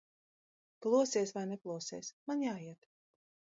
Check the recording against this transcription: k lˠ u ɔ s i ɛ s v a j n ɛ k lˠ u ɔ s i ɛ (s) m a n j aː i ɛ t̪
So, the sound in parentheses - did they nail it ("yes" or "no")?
yes